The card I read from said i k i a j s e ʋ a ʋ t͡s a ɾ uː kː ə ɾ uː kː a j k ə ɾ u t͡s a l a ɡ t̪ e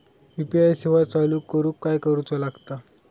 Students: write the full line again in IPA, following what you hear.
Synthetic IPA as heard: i p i a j s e ʋ a t͡s a l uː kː ə ɾ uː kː a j k ə ɾ u t͡s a l a ɡ t̪ a